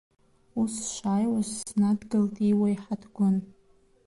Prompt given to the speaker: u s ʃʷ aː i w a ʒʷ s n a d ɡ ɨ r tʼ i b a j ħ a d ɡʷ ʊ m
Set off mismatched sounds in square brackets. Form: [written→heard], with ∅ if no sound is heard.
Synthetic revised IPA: u s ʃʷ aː [i→j] w a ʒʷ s n a d ɡ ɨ [r→l] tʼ i [b→w] a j ħ a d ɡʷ ʊ [m→n]